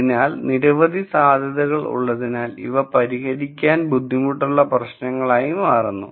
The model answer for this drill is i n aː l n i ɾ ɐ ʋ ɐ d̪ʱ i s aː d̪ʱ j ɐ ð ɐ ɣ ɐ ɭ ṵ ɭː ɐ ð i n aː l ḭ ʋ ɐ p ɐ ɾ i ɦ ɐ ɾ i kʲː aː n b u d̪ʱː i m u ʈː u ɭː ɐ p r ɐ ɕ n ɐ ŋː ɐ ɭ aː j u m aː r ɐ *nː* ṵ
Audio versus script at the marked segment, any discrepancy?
no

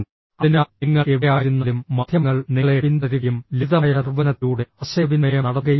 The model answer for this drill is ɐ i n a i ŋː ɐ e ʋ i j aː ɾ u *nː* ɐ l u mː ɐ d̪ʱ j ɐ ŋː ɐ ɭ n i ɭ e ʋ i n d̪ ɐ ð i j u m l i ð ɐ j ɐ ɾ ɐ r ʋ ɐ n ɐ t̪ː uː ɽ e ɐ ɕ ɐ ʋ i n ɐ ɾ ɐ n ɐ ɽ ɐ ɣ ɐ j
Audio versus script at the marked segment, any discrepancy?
no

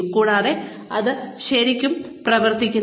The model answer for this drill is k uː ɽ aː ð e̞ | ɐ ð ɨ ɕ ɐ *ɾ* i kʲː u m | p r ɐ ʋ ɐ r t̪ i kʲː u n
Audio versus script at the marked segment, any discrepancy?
no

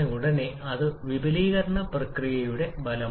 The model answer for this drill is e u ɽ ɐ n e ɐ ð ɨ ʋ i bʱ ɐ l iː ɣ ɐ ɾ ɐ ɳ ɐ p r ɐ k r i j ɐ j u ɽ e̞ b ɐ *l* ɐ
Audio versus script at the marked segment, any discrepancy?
no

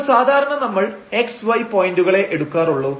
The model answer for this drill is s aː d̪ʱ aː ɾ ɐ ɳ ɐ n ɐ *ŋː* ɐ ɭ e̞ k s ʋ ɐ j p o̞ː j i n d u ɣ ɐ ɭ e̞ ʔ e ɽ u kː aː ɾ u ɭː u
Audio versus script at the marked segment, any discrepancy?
yes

